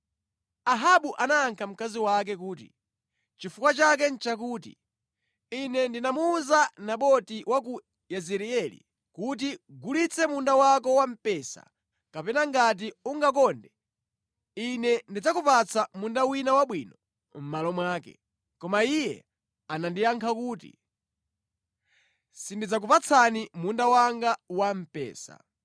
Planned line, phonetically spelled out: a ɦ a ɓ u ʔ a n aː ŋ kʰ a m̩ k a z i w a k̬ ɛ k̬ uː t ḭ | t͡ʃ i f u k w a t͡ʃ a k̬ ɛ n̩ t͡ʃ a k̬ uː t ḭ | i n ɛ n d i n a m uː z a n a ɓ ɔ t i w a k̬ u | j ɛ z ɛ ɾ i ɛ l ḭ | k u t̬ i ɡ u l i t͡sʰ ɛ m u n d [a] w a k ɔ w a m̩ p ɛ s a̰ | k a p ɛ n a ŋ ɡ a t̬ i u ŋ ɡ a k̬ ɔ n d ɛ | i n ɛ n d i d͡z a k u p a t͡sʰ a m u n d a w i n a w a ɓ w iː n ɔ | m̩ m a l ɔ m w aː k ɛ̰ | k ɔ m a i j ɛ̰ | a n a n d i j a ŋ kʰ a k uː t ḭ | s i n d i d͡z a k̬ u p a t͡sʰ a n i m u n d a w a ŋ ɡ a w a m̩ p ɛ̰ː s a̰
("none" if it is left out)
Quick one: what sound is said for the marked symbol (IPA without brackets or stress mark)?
a